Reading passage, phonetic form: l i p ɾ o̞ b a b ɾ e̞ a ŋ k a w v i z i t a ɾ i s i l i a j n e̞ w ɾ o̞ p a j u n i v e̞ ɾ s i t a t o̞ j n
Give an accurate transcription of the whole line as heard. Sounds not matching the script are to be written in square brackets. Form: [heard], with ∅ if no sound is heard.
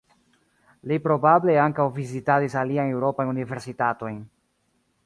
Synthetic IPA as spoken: l i p ɾ o̞ b a b [l] e̞ a ŋ k a w v i z i t a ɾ i s [a] l i a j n e̞ w ɾ o̞ p a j u n i v e̞ ɾ s i t a t o̞ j n